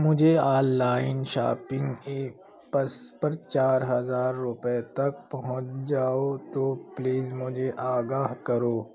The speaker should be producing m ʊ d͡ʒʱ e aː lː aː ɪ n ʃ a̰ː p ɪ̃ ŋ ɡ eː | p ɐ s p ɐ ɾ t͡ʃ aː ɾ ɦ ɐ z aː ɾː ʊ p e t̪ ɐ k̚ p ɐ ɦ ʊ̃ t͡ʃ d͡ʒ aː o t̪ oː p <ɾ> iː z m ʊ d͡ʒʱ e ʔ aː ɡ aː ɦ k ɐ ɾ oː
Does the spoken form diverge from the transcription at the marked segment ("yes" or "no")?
yes